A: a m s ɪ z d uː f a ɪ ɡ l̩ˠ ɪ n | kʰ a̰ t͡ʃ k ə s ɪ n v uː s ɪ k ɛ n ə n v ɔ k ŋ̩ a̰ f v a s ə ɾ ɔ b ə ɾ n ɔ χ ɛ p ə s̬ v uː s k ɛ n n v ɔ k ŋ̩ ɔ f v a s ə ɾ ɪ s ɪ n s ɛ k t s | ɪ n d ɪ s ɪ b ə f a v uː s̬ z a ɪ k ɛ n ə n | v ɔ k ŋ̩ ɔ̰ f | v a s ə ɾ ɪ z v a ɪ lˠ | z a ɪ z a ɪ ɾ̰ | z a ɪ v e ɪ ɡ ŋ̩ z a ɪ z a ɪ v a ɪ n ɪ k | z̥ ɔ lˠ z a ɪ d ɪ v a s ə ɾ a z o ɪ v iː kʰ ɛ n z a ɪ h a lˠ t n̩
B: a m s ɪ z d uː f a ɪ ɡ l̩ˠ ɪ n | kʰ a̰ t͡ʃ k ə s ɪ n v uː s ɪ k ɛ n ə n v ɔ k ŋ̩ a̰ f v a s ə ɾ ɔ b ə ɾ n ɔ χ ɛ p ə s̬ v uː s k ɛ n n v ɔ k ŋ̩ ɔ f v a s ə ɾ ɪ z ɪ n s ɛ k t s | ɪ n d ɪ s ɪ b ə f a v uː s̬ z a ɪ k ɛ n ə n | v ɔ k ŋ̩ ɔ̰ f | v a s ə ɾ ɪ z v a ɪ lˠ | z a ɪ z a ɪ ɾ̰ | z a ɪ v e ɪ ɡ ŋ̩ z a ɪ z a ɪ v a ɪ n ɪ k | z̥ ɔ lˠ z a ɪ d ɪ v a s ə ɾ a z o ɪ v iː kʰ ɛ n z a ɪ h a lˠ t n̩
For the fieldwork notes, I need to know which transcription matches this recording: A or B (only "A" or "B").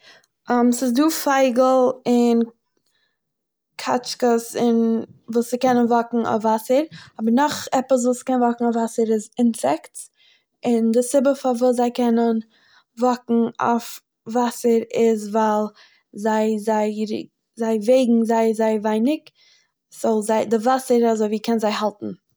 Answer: B